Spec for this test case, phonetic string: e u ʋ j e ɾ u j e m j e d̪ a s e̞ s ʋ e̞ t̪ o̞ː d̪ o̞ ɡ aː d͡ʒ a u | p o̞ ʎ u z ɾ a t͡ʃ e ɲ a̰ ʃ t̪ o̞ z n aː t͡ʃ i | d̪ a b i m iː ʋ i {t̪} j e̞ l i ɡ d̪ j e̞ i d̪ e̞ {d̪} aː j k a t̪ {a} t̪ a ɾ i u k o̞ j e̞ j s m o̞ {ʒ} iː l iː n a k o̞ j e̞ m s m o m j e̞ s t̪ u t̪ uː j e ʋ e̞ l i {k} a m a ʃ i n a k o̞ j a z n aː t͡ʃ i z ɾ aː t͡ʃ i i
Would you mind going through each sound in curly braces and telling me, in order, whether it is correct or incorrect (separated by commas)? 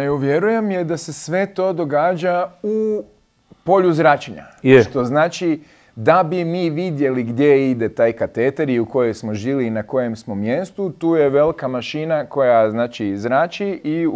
incorrect, incorrect, incorrect, correct, correct